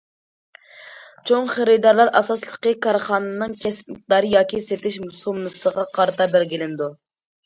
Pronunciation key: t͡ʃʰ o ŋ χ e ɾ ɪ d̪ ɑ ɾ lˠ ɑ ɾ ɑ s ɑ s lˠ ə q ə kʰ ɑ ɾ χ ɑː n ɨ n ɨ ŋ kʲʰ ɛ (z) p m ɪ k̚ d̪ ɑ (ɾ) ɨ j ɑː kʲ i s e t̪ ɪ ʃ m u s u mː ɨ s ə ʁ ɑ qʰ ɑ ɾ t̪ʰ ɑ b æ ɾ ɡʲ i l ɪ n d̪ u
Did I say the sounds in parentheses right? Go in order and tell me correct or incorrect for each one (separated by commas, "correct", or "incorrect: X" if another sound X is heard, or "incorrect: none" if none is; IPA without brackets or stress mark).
incorrect: s, correct